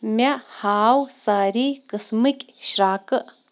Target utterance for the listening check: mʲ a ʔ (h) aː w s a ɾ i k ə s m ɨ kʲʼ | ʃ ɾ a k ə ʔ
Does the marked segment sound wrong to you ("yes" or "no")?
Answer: no